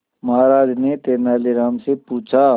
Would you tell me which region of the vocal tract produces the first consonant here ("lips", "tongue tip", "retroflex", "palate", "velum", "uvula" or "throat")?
lips